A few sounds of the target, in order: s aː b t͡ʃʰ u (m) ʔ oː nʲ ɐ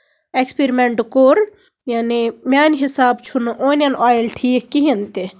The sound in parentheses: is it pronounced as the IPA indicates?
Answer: no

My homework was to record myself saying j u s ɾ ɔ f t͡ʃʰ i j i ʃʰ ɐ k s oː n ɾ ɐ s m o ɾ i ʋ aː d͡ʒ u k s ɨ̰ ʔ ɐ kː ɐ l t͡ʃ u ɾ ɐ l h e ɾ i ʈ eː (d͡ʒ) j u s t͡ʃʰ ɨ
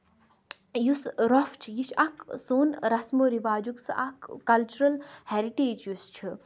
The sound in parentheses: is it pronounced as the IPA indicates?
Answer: yes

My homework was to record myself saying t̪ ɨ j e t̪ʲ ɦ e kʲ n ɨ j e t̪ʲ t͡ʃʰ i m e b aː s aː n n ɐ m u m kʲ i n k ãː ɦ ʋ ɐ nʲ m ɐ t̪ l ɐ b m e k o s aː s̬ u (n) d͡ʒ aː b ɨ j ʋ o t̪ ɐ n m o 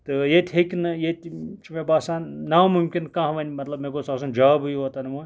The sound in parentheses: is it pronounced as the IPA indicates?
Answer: yes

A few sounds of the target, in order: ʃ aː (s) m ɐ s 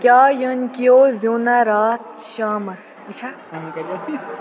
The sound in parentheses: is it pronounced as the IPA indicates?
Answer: no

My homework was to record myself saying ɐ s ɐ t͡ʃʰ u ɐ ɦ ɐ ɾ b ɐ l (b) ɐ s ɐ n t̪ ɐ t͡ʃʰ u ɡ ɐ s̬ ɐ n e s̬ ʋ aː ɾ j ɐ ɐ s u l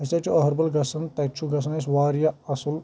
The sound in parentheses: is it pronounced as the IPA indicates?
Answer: no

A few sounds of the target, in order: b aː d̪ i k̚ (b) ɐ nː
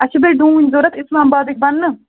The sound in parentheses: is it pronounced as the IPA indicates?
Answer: yes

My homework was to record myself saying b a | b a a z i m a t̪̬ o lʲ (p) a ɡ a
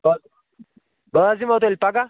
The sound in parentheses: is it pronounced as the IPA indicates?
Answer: yes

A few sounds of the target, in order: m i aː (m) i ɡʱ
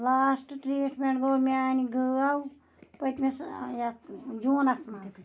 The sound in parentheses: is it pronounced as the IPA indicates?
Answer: no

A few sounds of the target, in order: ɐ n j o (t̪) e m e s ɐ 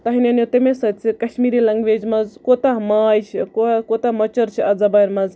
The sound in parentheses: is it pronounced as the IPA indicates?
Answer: yes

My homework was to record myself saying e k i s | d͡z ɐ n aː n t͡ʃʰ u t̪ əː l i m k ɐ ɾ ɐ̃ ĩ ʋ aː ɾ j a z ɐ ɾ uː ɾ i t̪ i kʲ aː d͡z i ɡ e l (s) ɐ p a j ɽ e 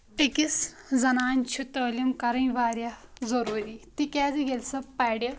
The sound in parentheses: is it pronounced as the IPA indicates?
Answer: yes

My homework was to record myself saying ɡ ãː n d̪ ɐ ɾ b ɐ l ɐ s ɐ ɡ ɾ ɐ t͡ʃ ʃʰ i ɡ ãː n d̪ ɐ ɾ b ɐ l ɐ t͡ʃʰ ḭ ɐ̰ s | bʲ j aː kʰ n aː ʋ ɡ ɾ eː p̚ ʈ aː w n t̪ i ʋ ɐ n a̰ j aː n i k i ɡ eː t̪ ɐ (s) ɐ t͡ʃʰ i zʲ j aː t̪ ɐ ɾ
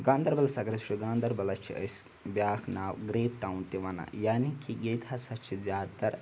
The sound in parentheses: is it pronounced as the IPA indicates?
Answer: yes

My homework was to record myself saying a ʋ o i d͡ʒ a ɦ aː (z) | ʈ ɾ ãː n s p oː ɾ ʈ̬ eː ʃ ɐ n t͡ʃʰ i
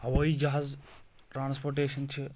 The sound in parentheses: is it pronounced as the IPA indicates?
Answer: yes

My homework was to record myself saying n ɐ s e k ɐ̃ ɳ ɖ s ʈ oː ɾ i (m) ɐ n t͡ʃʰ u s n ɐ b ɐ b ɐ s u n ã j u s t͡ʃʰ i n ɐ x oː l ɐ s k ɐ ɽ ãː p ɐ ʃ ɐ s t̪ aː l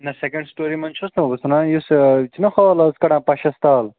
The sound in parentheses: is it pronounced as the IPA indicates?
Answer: yes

